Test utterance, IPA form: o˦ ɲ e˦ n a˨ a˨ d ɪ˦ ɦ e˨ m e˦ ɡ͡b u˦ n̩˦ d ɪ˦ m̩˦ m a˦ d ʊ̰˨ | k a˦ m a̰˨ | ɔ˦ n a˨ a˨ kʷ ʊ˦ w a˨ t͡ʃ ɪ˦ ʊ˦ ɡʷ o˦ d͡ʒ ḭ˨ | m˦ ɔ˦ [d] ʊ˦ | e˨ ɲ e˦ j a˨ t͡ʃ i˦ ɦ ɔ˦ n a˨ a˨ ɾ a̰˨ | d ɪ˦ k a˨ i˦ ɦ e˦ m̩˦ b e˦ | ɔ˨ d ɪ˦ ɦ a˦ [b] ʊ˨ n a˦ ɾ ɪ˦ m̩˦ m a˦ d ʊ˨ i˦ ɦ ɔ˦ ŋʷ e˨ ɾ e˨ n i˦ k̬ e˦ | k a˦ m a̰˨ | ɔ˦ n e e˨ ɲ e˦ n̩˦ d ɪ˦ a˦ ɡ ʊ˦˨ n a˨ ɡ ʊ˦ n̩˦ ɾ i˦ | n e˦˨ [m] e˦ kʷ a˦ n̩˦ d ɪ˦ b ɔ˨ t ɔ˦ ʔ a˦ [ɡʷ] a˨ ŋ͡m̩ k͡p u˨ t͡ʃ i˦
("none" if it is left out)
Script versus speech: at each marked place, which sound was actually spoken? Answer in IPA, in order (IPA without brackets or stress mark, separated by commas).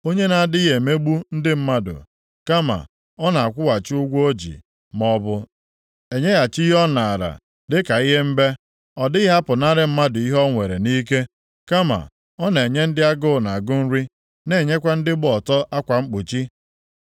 b, p, ɲ, kʷ